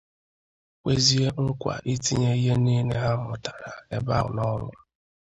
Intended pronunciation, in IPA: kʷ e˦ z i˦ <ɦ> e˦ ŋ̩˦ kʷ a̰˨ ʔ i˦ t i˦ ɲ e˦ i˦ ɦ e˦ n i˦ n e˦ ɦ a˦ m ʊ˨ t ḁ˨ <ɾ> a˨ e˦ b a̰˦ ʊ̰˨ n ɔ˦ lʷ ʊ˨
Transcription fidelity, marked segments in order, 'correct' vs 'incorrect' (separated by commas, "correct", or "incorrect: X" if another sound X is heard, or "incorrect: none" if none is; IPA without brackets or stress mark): incorrect: none, correct